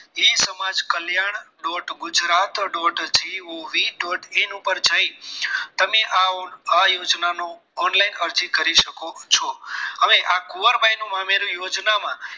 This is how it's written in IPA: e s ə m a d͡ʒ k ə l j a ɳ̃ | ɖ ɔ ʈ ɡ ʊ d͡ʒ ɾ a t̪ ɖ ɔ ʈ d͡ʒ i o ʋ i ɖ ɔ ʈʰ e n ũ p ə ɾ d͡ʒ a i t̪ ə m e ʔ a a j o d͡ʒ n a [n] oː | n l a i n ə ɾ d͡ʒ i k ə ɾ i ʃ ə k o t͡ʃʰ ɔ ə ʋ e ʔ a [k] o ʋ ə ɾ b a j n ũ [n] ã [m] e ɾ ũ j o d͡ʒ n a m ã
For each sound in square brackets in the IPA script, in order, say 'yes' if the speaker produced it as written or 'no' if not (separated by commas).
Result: yes, yes, no, yes